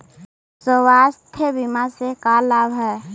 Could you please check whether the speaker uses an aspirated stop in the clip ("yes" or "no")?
yes